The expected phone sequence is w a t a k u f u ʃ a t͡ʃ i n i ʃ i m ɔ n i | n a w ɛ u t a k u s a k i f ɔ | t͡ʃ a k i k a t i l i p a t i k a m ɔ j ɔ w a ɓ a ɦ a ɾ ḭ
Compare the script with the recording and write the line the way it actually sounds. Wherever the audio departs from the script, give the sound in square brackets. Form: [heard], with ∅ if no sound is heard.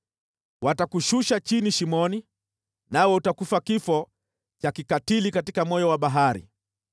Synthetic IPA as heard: w a t a k u [ʃ] u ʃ a t͡ʃ i n i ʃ i m ɔ n i | n a w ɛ u t a k u [f] a k i f ɔ | t͡ʃ a k i k a t i l i [k] a t i k a m ɔ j ɔ w a ɓ a ɦ a ɾ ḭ